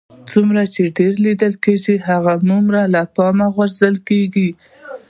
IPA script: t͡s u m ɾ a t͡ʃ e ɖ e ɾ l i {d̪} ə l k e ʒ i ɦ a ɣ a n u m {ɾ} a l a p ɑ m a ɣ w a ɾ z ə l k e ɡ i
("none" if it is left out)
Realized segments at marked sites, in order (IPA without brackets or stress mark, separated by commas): d̪, ɾ